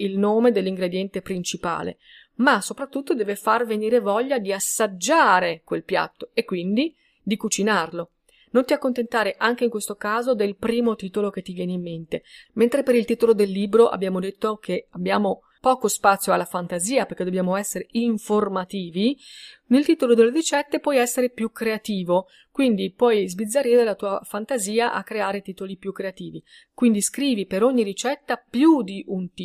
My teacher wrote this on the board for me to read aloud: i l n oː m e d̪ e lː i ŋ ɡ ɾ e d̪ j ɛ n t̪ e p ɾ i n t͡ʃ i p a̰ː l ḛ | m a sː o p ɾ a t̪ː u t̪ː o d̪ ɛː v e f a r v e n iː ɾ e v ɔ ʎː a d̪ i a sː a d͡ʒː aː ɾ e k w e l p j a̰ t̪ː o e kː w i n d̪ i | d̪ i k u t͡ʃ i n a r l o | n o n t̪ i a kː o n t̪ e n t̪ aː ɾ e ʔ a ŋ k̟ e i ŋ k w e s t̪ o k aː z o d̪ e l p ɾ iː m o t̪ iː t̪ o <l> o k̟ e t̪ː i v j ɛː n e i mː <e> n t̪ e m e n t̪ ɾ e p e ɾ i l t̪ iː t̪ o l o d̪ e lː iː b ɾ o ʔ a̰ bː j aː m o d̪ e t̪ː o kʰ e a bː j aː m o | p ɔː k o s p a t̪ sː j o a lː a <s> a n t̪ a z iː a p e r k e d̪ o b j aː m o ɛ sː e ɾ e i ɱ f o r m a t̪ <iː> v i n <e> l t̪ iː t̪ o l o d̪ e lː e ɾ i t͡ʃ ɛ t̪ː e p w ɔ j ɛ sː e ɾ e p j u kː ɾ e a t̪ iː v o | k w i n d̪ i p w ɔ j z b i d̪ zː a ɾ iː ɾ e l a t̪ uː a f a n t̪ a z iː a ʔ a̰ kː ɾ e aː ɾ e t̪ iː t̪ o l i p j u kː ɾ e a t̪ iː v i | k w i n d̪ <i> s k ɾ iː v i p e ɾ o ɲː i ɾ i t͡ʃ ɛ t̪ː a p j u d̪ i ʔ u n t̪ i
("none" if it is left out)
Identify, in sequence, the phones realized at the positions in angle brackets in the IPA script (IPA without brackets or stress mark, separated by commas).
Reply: l, e, f, iː, e, i